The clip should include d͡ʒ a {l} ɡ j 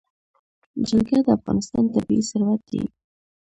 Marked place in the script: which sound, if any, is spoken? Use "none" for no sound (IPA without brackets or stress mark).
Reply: l